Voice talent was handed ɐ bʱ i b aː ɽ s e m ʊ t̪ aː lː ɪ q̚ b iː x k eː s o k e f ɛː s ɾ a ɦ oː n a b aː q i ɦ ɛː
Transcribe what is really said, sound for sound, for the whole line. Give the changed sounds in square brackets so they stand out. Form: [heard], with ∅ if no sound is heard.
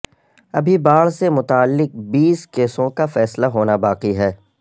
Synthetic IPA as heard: ɐ bʱ i b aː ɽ s e m ʊ t̪ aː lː ɪ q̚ b iː [s] k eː s [õ] k [a] f ɛː s [l] a ɦ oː n a b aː q i ɦ ɛː

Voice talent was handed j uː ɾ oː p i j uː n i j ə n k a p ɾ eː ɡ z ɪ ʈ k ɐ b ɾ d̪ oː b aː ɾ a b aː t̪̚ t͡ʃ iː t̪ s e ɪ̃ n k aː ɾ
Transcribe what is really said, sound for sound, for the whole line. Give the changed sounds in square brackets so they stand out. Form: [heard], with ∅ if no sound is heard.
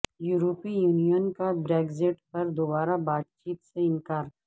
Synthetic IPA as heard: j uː ɾ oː p i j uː n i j ə n k a [b] ɾ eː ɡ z ɪ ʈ [p] ɐ [∅] ɾ d̪ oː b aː ɾ a b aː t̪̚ t͡ʃ iː t̪ s e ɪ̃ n k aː ɾ

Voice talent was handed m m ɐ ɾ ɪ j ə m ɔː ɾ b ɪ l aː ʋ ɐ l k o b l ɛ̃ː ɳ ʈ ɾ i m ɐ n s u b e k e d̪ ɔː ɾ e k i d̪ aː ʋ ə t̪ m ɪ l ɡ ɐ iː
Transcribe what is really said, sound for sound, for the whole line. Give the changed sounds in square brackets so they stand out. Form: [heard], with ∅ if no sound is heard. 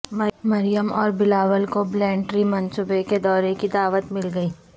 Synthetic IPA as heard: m m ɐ ɾ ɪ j ə m ɔː ɾ b ɪ l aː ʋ [ə] l k o b l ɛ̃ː ɳ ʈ ɾ i m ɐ n s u b e k e d̪ ɔː ɾ e k i d̪ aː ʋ ə t̪ m ɪ l ɡ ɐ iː

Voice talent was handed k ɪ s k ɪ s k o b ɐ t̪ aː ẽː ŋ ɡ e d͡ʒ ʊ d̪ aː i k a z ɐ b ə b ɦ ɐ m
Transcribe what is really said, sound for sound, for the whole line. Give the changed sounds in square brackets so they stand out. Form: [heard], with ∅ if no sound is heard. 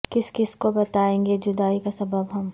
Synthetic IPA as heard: k ɪ s k ɪ s k o b ɐ t̪ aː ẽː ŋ ɡ e d͡ʒ ʊ d̪ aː i k a [s] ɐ b ə b ɦ ɐ m

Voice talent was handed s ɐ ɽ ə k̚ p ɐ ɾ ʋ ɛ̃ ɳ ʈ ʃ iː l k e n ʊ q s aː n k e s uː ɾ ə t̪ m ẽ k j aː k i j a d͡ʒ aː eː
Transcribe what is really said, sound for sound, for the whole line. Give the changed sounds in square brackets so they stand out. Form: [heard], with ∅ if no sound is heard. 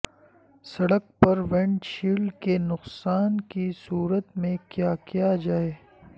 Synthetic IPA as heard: s ɐ ɽ ə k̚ p ɐ ɾ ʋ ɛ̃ ɳ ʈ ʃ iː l k e n ʊ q s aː n k [i] s uː ɾ ə t̪ m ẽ k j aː k i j a d͡ʒ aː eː

